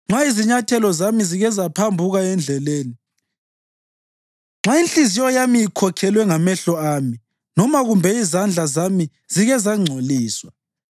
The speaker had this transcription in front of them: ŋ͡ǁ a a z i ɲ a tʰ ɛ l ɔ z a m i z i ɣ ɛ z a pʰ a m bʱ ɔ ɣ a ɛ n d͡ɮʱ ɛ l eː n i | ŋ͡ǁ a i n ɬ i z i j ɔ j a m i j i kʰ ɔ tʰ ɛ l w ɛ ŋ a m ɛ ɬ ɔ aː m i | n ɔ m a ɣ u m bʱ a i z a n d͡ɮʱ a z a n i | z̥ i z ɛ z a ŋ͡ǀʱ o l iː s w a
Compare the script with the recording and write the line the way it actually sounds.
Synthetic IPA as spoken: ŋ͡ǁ a i z i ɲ a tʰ ɛ l ɔ z a m i z i ɣ ɛ z a pʰ a m bʱ u ɣ a ɛ n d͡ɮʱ ɛ l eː n i | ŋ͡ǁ a i n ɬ i z i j ɔ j a m i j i kʰ ɔ kʰ ɛ l w ɛ ŋ a m ɛ ɬ ɔ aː m i | n ɔ m a ɣ u m bʱ ɛ i z a n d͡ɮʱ a z a m i | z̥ i ɣ ɛ z a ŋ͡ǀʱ o l iː s w a